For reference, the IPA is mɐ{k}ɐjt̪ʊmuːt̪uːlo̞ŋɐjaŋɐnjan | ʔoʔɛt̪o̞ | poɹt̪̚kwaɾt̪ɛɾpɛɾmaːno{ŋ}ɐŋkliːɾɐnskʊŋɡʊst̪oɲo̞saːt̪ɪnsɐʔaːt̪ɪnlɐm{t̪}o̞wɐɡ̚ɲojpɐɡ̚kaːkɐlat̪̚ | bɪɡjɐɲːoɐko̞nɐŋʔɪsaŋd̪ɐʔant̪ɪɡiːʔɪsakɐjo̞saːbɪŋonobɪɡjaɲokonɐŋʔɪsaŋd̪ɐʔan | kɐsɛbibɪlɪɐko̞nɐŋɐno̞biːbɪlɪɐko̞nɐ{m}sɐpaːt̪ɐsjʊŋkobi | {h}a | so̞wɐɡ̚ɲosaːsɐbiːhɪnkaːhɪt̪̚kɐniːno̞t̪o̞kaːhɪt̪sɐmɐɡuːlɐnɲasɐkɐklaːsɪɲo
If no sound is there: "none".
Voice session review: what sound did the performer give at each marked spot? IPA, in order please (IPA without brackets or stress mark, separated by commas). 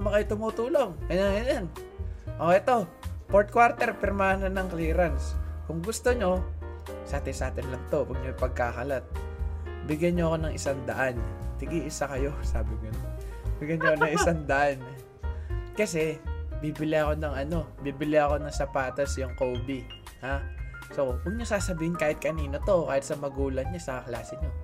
k, n, t̪, ŋ, h